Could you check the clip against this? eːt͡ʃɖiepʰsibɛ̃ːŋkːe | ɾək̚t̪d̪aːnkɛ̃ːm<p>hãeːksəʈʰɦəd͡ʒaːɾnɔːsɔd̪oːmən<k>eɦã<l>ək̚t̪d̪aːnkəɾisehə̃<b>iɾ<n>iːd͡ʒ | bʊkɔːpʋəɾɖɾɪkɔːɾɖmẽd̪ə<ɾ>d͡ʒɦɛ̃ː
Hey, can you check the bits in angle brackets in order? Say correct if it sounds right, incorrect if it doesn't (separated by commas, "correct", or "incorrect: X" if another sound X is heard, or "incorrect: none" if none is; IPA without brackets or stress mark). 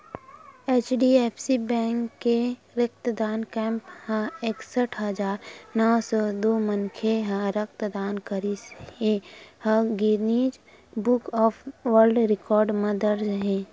correct, incorrect: kʰ, incorrect: ɾ, incorrect: ɡ, correct, correct